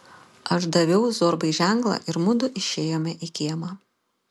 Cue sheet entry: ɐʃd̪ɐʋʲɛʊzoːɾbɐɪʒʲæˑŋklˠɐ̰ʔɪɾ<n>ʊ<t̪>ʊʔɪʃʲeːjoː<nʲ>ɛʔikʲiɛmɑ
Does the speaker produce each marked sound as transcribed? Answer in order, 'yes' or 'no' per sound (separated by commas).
no, no, no